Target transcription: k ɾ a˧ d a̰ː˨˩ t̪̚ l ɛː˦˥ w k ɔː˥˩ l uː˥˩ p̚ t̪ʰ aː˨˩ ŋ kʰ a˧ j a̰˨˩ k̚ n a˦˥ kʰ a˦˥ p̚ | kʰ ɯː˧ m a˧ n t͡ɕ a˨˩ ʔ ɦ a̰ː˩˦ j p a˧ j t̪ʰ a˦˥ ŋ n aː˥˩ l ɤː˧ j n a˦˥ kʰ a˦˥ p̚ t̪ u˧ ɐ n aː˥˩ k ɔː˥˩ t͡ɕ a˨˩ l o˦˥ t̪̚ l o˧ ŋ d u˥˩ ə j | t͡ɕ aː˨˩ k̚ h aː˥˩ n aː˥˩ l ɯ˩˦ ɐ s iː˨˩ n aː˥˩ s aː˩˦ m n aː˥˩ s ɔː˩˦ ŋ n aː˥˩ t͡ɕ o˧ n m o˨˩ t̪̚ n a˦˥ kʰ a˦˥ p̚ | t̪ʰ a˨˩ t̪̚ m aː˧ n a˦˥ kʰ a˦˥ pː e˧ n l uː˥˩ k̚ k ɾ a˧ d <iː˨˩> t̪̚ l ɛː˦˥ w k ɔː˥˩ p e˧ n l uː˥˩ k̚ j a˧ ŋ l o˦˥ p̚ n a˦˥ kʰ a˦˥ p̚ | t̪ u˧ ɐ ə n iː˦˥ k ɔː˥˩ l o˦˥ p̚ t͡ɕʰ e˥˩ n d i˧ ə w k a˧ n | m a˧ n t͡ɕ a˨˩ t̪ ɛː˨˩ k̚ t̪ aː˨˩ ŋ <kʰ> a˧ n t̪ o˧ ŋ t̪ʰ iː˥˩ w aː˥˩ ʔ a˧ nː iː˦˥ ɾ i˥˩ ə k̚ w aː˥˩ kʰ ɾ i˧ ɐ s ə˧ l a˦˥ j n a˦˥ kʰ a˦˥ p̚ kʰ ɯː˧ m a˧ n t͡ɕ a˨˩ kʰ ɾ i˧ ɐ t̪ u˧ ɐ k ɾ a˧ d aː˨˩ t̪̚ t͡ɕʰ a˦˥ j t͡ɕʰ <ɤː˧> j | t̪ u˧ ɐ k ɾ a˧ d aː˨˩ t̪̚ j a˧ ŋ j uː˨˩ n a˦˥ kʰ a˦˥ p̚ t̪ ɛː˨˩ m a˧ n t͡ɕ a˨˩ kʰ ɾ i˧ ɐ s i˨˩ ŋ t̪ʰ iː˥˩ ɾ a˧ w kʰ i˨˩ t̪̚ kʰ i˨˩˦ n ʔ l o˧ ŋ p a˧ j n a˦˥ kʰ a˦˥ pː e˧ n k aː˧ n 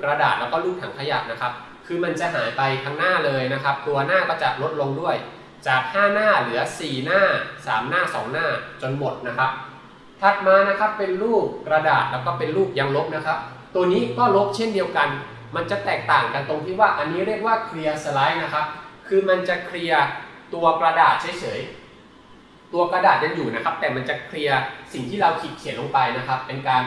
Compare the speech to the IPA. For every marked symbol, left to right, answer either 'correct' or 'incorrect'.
incorrect: aː˨˩, incorrect: k, incorrect: ɤː˩˦

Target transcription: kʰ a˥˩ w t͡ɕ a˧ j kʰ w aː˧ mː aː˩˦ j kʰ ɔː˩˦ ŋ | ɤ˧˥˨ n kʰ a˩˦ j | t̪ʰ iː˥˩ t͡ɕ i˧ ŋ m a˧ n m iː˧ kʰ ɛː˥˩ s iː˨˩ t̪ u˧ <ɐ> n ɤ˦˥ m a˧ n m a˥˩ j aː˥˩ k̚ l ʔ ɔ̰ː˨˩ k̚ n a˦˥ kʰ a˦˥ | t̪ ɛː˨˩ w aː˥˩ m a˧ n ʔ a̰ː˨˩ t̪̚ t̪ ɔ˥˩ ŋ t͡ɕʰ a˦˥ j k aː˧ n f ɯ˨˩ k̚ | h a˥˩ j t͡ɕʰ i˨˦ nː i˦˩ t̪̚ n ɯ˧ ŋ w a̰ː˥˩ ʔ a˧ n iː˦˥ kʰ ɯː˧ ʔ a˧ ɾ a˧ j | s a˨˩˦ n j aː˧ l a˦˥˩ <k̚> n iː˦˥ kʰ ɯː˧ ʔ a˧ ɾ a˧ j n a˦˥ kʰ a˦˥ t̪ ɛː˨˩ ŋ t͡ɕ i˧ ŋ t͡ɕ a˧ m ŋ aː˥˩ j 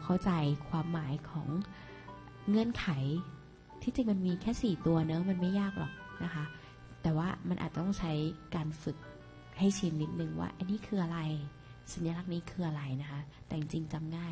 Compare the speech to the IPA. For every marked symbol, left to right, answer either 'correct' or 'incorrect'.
correct, correct

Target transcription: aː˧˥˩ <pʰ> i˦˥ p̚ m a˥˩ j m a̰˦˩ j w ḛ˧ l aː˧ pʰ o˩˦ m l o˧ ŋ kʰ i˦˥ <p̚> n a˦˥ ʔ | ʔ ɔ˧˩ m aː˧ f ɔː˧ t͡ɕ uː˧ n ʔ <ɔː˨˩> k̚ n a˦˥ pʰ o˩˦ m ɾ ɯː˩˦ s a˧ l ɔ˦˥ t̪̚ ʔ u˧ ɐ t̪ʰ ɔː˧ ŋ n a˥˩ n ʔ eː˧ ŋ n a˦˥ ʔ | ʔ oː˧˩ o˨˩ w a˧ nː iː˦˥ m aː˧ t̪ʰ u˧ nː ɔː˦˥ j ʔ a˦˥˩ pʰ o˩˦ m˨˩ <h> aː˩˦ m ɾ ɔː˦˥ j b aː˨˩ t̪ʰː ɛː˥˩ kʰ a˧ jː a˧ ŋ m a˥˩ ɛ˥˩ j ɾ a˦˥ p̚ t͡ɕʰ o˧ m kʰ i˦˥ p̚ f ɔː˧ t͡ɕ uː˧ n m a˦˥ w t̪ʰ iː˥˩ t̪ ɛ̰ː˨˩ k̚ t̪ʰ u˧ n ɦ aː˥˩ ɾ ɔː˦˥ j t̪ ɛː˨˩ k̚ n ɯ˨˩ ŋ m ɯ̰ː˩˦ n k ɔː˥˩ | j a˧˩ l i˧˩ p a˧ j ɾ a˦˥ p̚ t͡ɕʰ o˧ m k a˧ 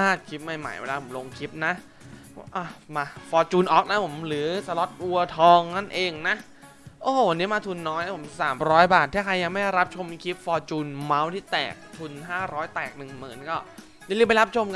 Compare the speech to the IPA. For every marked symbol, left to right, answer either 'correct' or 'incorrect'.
incorrect: kʰ, correct, correct, incorrect: s

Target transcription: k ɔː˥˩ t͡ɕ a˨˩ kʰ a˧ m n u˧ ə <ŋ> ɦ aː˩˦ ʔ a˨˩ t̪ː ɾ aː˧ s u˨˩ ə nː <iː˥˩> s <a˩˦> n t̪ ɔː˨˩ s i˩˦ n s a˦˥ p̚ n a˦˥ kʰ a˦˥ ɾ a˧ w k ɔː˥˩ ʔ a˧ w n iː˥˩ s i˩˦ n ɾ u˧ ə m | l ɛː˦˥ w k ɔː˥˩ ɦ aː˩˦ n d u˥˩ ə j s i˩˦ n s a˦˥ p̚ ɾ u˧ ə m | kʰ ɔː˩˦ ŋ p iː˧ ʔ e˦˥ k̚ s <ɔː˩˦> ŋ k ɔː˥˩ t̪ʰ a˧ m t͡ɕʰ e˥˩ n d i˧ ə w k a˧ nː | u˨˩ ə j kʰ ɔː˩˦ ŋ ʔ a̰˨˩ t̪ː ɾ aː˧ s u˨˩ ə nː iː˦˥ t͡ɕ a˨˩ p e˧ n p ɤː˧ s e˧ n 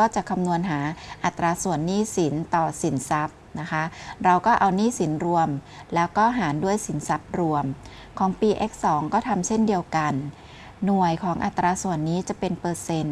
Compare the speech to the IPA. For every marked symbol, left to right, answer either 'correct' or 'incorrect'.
incorrect: n, correct, incorrect: i˩˦, correct

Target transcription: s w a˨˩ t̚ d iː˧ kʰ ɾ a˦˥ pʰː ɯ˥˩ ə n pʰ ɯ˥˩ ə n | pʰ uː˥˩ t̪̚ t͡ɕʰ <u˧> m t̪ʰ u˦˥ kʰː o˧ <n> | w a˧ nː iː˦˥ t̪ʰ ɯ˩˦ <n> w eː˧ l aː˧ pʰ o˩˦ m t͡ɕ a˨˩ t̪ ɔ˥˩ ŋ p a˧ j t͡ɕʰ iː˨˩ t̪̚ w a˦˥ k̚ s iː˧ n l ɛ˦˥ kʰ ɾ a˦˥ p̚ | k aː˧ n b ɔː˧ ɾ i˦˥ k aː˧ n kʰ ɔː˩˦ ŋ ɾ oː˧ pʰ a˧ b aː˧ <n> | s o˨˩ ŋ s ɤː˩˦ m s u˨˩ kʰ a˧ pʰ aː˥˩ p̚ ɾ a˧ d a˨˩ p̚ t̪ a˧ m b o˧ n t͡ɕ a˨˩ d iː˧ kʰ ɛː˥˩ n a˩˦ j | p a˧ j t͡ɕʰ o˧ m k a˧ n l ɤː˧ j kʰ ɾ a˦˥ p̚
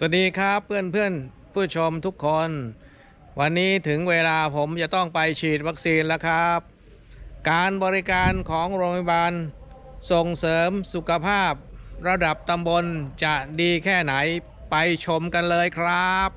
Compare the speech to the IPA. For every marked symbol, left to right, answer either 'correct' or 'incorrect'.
incorrect: o˧, correct, incorrect: ŋ, correct

